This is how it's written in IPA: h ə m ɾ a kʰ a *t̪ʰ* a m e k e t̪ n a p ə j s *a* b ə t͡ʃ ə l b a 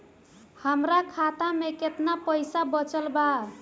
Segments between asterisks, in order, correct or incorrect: incorrect: t̪, correct

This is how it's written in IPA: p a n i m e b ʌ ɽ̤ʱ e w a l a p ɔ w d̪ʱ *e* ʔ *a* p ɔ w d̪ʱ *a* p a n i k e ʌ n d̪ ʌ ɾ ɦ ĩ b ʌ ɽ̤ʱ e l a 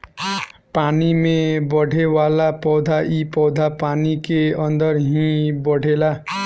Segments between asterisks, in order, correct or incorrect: incorrect: a, incorrect: i, correct

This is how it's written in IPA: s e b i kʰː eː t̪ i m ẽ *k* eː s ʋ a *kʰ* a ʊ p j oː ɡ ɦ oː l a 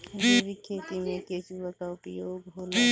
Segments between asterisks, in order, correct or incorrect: correct, incorrect: k

